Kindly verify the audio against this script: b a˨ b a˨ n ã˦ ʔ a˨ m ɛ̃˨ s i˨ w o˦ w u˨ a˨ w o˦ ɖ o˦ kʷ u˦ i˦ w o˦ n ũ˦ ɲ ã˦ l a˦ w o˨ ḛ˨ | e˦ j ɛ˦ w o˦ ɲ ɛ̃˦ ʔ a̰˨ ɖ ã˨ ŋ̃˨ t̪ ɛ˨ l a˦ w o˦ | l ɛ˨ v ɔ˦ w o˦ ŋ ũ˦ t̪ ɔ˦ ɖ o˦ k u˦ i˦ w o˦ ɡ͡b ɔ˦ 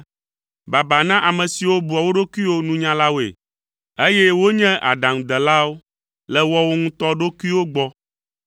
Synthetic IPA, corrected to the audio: b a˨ b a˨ n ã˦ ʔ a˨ m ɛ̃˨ s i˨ w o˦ b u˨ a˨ w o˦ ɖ o˦ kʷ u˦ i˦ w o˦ n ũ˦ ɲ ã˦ l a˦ w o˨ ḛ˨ | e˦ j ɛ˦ w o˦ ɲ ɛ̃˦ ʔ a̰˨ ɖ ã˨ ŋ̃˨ d̪ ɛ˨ l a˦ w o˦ | l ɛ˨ w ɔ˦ w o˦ ŋ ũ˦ t̪ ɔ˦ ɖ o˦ k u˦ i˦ w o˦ ɡ͡b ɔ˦